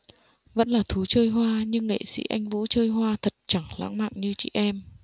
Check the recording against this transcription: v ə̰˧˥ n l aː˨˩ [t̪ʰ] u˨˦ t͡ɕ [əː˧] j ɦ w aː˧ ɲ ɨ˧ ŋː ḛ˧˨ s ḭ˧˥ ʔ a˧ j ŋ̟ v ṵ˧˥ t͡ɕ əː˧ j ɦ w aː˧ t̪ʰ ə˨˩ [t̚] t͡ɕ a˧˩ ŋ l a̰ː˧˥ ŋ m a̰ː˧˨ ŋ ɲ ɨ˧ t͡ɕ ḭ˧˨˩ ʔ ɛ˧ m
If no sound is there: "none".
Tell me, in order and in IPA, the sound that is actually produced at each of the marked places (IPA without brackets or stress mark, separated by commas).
t̪ʰ, əː˧, t̚